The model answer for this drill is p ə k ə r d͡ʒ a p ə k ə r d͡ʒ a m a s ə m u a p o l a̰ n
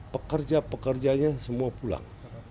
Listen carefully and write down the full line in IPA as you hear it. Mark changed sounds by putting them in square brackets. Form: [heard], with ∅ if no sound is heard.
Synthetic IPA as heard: p ə k ə r d͡ʒ a p ə k ə r d͡ʒ a [ɲ] a s ə m u a p [u] l a̰ [ŋ]